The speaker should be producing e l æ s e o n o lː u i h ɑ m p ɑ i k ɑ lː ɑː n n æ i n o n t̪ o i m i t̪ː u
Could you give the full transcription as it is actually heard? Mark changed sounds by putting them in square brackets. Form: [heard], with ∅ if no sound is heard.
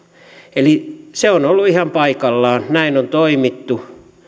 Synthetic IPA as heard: e l [i] s e o n o lː u i h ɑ m p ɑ i k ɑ lː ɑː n n æ i n o n t̪ o i m i t̪ː u

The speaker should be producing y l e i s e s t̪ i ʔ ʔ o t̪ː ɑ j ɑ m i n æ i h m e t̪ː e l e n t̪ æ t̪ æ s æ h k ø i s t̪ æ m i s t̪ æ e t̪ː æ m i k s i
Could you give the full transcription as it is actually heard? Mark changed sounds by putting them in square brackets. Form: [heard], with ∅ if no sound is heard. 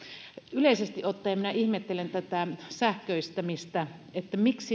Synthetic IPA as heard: y l e i s e s t̪ i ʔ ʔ o t̪ː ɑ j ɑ m i n æ i h m e t̪ː e l e n t̪ æ t̪ æ s æ h k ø i s t̪ æ m i s t̪ æ e t̪ː æ m i k s i

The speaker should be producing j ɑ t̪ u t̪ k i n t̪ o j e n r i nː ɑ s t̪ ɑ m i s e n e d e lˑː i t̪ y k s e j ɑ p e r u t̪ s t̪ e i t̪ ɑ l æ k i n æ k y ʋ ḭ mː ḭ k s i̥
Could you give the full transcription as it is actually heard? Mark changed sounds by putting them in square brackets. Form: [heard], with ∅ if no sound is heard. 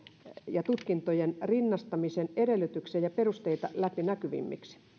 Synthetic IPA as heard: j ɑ t̪ u t̪ k i n t̪ o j e n r i nː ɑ s t̪ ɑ m i s e n e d e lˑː [y] t̪ y k s e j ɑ p e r u [∅] s t̪ e i t̪ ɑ l æ [p] i n æ k y ʋ ḭ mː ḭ k s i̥

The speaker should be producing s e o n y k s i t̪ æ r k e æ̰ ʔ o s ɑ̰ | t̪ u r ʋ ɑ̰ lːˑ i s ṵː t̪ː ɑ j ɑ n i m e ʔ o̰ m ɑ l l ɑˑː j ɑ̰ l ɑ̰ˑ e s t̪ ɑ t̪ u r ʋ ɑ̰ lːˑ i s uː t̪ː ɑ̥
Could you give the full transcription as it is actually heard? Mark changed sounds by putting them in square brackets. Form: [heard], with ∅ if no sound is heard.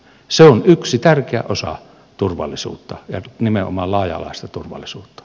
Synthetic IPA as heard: s e o n y k s i t̪ æ r k e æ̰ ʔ o s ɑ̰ | t̪ u r ʋ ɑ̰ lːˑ i s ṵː t̪ː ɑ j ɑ n i m e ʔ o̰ m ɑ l l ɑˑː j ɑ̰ l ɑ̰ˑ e s t̪ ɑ t̪ u r ʋ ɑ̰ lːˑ i s uː t̪ː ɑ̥

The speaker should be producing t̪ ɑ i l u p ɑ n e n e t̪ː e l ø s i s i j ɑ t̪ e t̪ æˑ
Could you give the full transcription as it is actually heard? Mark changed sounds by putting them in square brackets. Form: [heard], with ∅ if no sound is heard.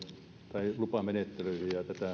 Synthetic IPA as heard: t̪ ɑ i l u p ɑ [m] e n e t̪ː e l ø [∅] i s i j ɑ t̪ [æ] t̪ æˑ

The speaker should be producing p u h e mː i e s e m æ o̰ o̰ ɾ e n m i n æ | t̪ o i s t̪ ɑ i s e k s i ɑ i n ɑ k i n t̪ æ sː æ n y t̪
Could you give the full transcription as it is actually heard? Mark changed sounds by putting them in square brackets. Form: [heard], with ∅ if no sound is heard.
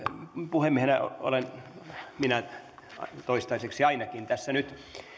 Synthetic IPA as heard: p u h e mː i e [h] e [n] æ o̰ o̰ [l] e n m i n æ | t̪ o i s t̪ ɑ i s e k s i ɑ i n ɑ k i n t̪ æ sː æ n y t̪

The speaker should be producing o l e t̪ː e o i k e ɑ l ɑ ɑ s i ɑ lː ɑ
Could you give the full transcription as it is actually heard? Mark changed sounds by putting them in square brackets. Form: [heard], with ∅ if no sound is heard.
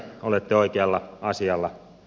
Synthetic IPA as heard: o l e t̪ː e o i k e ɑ [lː] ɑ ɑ s i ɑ lː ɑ

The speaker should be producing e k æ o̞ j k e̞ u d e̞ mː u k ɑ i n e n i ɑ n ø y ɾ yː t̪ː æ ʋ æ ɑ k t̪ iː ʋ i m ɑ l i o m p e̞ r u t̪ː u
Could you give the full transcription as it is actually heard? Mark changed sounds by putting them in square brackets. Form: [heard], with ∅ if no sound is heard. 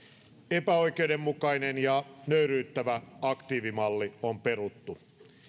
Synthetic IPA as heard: e [p] æ o̞ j k e̞ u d e̞ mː u k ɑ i n e n [j] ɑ n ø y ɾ yː t̪ː æ ʋ æ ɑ k t̪ iː ʋ i m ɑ [lː] i o m p e̞ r u t̪ː u

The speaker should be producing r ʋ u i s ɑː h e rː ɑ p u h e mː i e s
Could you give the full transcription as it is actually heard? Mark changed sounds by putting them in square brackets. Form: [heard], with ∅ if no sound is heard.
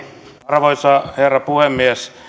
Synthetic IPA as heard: r ʋ [o] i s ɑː h e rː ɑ p u h e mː i e s

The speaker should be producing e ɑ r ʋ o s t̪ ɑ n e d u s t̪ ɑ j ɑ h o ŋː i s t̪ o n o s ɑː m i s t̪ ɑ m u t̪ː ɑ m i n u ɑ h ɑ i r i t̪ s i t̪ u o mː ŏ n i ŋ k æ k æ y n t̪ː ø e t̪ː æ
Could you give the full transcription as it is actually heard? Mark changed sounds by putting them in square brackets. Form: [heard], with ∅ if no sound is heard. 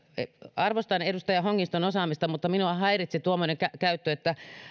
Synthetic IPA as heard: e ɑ r ʋ o s t̪ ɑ n e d u s t̪ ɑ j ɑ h o ŋː i s t̪ o n o s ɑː m i s t̪ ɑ m u t̪ː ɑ m i n u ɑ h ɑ i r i t̪ s i t̪ u o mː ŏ n [e] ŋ k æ k æ y [∅] t̪ː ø e t̪ː æ

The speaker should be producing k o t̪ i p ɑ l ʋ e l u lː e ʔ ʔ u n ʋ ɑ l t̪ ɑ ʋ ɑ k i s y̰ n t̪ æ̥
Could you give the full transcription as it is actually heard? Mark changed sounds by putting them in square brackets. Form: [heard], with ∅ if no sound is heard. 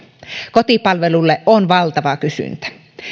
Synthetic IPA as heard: k o t̪ i p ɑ l ʋ e l u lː e ʔ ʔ [o] n ʋ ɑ l t̪ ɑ ʋ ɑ k [y] s y̰ n t̪ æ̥

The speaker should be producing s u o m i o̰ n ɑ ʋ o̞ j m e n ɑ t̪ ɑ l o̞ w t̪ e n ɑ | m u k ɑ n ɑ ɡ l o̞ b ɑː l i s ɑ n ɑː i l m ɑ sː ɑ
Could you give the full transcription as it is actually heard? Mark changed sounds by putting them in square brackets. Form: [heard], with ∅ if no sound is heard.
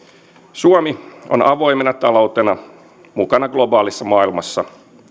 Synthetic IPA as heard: s u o m i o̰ n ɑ ʋ o̞ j m e n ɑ t̪ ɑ l o̞ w t̪ e n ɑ | m u k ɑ n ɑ ɡ l o̞ b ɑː l i [sː] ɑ [m] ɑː i l m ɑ sː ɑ

